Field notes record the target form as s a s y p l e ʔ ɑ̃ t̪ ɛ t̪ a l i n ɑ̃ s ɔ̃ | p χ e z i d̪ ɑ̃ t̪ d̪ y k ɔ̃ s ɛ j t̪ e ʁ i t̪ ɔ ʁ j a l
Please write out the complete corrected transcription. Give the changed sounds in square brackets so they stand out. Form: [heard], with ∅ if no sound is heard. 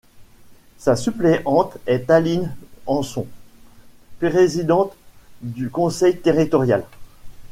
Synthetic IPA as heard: s a s y p l e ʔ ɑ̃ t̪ ɛ t̪ a l i n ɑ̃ s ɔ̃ | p [ʁ] e z i d̪ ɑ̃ t̪ d̪ y k ɔ̃ s ɛ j t̪ e ʁ i t̪ ɔ ʁ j a l